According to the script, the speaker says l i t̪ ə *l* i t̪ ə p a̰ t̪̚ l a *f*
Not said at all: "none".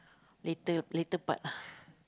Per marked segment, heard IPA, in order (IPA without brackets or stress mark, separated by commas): l, h